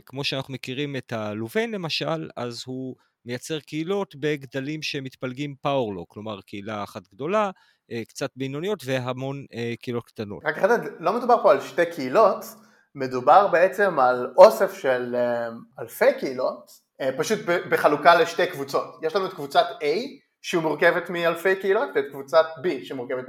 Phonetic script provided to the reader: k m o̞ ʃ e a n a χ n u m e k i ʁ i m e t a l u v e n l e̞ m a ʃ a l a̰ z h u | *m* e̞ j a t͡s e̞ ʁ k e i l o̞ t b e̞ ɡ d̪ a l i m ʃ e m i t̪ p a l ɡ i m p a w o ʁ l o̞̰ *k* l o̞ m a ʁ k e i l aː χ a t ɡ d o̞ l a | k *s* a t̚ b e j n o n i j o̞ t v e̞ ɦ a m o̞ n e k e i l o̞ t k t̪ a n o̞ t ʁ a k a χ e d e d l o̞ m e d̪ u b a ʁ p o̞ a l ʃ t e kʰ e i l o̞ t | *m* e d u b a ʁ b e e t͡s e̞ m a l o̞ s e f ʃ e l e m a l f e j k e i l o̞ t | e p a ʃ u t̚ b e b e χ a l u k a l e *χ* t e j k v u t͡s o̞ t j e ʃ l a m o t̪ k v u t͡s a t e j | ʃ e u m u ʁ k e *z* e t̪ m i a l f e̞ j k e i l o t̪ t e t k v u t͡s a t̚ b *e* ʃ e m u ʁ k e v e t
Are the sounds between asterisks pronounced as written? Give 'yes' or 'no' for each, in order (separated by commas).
yes, yes, no, yes, no, no, no